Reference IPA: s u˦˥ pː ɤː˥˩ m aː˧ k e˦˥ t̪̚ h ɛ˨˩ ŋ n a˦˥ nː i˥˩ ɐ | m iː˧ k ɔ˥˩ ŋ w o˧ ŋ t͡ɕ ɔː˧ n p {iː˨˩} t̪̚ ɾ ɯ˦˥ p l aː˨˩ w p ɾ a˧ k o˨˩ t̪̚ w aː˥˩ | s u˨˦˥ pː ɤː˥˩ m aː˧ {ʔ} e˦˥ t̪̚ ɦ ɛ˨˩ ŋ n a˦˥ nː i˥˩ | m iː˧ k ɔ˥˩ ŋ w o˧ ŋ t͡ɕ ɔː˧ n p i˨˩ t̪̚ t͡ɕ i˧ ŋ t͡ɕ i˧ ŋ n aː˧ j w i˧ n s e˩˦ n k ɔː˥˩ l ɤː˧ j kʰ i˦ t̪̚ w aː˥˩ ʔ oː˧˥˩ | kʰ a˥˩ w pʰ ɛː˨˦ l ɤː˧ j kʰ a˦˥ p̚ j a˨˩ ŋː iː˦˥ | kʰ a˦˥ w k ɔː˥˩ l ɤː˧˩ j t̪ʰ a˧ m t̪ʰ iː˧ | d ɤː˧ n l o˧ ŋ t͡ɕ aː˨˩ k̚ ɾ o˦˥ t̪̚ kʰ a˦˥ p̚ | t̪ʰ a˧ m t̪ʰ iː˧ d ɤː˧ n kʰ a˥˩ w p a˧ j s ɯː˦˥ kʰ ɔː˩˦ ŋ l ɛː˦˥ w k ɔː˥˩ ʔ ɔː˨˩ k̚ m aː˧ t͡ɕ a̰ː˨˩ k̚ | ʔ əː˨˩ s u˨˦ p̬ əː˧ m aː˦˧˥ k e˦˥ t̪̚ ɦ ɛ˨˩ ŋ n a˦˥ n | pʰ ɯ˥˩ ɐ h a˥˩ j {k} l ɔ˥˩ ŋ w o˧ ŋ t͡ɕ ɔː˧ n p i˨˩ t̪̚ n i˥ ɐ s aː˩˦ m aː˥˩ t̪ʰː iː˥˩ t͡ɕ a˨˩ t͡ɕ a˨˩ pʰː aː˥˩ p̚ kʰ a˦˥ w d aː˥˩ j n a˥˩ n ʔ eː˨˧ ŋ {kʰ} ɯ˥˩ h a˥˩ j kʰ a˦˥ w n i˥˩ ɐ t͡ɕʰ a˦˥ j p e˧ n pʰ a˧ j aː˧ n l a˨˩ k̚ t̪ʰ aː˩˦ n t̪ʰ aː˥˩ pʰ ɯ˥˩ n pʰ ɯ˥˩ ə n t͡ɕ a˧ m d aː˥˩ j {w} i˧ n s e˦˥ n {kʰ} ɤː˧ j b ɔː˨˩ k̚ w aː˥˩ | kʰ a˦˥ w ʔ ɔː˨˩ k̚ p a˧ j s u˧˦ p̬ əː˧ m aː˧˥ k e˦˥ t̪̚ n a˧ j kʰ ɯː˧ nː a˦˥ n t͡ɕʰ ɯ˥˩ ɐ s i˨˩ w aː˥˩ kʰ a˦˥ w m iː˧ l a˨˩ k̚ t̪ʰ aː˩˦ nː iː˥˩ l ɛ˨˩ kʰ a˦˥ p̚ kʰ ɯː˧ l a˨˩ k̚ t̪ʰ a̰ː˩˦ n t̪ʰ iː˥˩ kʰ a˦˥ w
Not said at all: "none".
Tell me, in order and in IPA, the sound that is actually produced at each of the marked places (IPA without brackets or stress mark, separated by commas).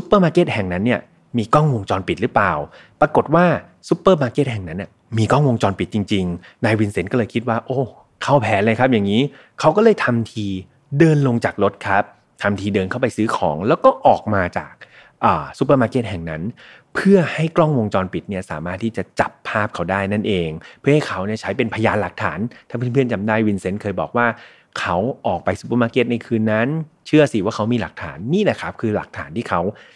i˨˩, k, k, pʰ, w, kʰ